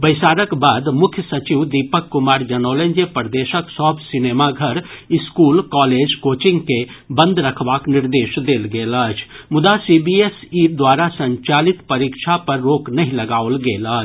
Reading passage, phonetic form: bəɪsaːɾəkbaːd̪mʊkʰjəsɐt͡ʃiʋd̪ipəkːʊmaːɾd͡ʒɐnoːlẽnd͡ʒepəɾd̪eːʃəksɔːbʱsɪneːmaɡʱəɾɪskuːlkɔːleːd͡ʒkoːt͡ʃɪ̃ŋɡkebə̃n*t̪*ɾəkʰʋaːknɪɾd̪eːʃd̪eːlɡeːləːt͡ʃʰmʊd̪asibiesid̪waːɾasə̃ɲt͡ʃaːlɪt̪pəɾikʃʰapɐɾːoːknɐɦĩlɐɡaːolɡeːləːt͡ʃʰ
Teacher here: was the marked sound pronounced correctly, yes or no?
no